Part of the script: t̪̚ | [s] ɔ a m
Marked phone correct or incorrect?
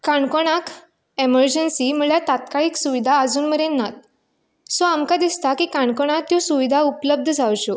correct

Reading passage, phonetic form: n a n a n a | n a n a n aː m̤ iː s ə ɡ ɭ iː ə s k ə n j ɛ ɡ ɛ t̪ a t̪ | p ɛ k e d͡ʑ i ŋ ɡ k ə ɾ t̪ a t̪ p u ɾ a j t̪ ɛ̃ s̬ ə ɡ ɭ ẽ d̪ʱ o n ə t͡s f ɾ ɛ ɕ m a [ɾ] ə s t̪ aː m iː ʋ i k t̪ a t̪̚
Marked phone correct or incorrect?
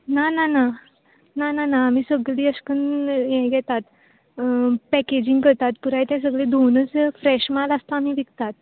incorrect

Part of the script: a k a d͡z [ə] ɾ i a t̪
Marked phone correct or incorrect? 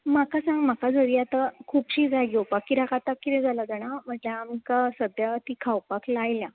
correct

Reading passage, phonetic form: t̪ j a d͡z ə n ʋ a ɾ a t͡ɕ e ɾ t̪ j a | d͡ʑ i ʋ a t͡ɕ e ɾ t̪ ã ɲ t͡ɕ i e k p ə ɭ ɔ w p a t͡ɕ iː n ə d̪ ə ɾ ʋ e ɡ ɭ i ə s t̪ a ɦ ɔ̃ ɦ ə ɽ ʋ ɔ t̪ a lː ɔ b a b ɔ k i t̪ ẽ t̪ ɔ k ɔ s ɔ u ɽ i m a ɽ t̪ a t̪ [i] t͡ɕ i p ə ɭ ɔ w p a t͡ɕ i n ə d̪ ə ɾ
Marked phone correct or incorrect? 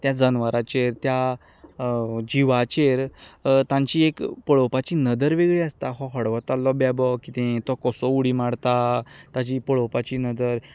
incorrect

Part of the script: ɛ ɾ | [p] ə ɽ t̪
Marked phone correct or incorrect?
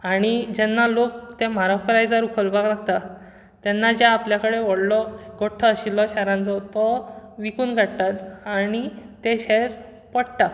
correct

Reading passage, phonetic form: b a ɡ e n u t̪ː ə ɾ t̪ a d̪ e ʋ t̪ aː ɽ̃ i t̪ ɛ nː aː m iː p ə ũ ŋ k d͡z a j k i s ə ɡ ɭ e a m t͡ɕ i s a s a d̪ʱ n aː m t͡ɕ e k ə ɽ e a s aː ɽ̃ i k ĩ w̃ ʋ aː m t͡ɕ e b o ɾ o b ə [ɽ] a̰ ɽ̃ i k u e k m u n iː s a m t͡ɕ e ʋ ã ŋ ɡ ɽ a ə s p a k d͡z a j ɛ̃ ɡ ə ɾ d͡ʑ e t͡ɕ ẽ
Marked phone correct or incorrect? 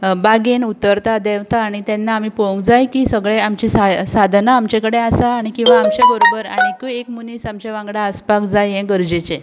incorrect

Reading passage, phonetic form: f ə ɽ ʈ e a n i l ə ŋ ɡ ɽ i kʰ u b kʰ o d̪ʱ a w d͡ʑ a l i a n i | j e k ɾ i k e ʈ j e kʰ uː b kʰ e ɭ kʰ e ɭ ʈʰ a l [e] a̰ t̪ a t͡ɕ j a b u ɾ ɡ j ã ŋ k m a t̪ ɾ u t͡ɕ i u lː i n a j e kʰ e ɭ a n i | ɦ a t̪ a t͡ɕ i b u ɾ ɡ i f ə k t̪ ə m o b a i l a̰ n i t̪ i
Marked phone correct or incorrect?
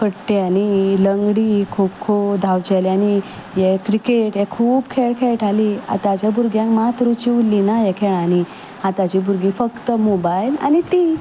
incorrect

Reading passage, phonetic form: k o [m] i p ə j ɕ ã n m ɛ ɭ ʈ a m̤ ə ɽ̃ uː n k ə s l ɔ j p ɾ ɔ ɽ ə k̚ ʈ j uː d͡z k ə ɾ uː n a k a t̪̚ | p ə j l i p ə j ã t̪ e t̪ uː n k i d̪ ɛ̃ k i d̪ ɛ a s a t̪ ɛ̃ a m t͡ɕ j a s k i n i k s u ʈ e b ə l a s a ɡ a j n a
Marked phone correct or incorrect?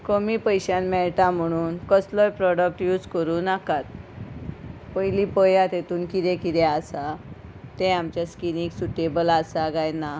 correct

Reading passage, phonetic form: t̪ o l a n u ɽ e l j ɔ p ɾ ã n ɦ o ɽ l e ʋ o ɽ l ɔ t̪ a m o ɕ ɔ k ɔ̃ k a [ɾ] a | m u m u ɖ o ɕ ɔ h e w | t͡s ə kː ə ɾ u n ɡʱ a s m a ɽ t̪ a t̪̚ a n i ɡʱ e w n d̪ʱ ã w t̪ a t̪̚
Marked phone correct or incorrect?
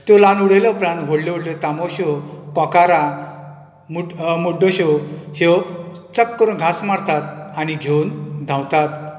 correct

